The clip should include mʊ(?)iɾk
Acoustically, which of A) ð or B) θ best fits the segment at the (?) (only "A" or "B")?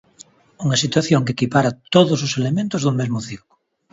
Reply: B